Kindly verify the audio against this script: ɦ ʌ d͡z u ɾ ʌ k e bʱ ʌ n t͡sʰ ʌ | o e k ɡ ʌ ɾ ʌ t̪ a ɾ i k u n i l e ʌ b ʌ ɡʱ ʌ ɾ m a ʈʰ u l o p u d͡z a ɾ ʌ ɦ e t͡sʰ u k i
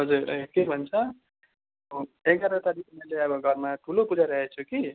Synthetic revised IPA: ɦ ʌ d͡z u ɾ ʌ k e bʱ ʌ n t͡sʰ ʌ | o e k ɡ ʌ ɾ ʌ t̪ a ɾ i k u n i l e ʌ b ʌ ɡʱ ʌ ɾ m a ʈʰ u l o p u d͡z a ɾ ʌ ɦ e t͡sʰ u k i